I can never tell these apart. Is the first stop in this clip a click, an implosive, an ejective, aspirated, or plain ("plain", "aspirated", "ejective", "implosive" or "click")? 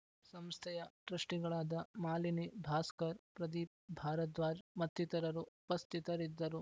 aspirated